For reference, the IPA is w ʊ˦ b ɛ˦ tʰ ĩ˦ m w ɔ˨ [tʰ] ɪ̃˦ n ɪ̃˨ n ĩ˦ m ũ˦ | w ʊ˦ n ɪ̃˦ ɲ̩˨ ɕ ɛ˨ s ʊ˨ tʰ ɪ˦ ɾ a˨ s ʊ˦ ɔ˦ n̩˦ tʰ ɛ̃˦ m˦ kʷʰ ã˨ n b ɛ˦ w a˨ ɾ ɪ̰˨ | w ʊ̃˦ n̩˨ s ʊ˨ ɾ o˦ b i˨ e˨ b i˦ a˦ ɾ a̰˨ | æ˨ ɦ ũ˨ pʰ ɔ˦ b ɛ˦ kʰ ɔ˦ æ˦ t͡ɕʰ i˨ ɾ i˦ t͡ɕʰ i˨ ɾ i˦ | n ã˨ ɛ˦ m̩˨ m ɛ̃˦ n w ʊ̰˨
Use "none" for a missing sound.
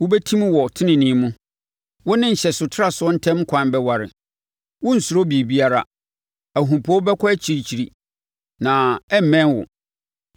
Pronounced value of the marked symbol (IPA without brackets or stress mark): tʰ